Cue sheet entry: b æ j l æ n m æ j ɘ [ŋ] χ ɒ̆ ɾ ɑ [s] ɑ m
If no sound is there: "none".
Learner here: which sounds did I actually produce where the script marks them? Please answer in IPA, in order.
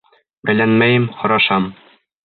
m, ʃ

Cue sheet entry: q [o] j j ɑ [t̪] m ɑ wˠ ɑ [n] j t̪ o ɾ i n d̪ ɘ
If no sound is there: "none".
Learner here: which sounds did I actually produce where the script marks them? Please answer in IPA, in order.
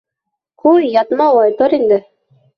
u, t̪, none

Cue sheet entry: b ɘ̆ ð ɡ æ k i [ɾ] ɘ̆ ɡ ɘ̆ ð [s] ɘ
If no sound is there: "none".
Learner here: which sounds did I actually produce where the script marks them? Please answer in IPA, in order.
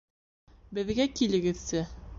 l, s

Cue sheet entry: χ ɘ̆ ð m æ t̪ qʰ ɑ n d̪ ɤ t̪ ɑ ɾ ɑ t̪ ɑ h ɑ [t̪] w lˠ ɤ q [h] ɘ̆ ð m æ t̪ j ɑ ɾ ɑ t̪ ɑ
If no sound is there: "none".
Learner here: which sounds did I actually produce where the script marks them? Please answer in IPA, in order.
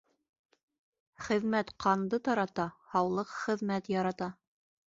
none, χ

